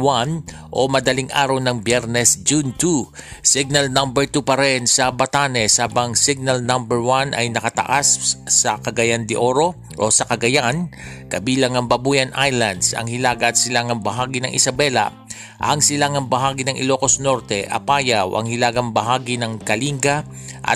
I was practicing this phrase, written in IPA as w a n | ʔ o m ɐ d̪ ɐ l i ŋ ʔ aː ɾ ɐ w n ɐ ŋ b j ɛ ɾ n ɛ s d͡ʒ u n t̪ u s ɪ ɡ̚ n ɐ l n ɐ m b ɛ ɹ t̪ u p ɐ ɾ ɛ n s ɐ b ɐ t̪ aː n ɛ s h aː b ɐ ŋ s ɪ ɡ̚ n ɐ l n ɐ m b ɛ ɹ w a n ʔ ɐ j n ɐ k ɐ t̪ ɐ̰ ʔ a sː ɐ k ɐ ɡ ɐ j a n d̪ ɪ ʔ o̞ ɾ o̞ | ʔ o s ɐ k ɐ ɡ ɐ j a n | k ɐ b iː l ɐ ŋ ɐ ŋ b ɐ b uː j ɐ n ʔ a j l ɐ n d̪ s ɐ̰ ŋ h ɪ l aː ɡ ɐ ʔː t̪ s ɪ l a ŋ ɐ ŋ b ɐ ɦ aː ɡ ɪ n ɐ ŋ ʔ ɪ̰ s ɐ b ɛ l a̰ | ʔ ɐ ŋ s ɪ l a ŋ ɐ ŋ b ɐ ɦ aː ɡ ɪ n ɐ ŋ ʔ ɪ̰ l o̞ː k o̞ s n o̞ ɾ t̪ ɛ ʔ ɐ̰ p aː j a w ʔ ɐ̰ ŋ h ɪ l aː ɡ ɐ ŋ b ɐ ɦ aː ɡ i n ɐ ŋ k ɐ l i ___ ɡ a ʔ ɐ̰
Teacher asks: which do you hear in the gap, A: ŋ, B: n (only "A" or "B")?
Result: A